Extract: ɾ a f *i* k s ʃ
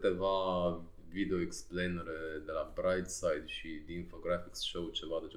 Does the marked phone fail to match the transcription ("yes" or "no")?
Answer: no